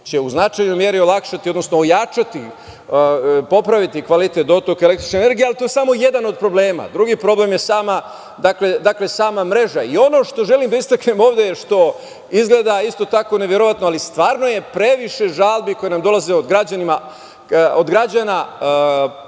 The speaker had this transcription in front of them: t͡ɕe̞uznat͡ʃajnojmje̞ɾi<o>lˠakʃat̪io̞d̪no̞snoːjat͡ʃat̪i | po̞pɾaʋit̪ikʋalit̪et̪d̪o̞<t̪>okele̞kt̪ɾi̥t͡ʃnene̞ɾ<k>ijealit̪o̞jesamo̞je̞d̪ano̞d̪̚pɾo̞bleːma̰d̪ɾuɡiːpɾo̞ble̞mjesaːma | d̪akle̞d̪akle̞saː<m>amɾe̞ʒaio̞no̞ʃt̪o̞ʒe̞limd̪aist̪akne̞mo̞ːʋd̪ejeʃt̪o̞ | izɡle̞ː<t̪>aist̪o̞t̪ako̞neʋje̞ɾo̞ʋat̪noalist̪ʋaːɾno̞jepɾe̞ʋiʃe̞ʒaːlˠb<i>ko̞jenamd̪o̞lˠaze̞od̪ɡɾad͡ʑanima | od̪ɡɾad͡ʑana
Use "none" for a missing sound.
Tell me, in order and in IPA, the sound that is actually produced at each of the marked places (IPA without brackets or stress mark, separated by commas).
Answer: o, t̪, ɡ, m, d̪, i